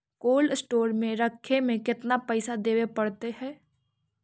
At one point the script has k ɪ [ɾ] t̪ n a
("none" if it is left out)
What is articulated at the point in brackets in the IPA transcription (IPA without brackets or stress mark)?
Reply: none